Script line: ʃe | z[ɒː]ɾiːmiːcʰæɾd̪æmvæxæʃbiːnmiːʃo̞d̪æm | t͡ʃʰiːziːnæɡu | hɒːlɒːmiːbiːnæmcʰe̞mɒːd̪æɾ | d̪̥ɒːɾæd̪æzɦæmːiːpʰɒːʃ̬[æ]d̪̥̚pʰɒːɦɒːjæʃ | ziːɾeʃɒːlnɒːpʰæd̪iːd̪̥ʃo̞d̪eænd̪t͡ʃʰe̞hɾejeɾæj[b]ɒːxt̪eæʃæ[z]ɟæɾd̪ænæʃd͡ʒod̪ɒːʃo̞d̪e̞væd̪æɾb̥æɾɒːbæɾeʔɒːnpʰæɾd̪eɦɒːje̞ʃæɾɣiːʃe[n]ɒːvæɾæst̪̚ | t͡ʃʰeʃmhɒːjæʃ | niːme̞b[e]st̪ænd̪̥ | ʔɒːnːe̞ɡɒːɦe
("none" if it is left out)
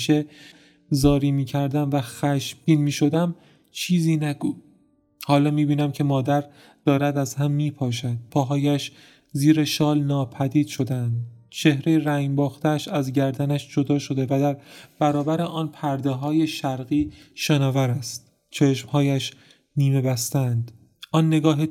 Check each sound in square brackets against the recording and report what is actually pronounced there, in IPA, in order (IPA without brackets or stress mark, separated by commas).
ɒː, æ, b, z, n, æ